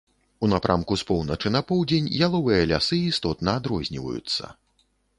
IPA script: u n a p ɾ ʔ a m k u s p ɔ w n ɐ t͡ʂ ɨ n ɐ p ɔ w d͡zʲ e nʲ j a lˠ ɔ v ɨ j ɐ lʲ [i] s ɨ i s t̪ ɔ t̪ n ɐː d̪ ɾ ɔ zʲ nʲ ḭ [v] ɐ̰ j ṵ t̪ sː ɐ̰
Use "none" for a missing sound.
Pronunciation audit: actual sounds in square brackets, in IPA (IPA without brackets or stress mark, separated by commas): a, v